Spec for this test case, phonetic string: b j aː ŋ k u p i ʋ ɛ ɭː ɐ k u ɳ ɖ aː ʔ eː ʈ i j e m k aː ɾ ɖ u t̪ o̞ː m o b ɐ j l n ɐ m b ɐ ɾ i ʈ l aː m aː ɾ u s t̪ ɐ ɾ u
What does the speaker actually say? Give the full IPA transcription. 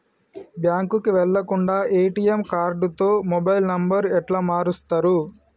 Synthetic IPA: b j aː ŋ k u k i ʋ ɛ ɭː ɐ k u ɳ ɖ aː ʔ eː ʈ i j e m k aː ɾ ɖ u t̪ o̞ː m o b ɐ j l n ɐ m b ɐ ɾ ɛ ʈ l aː m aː ɾ u s t̪ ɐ ɾ u